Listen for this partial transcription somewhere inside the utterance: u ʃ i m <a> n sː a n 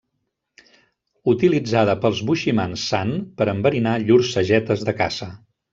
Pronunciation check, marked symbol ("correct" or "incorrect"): correct